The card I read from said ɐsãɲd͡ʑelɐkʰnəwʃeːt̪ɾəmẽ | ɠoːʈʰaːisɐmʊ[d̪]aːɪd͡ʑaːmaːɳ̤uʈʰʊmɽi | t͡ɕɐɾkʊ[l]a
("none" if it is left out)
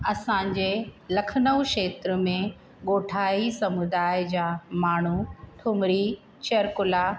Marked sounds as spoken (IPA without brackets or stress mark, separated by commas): d̪, l